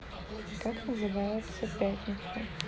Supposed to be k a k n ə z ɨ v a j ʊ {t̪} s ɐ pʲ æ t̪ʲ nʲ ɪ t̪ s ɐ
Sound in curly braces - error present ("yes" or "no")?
no